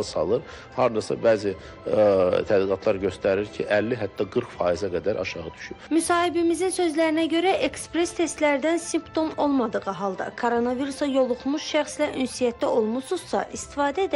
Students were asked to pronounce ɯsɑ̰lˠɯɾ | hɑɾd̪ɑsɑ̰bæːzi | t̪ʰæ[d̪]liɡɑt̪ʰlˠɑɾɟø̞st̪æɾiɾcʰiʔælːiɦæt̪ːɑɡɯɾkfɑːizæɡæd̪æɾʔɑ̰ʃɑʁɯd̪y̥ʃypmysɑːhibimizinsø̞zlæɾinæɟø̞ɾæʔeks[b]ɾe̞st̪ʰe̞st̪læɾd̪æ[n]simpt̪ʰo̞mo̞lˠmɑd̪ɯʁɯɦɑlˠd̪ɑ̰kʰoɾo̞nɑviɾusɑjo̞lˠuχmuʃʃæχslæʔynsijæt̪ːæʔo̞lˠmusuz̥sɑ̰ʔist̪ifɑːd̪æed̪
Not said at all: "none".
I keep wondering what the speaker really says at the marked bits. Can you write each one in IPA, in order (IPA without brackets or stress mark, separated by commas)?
d̪, p, n